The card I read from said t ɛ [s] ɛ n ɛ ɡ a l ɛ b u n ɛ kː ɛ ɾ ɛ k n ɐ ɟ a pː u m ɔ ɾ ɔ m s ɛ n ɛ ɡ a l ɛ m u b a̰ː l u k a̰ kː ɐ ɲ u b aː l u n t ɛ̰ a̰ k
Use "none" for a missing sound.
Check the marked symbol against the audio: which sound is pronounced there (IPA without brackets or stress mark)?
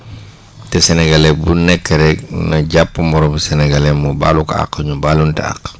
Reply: s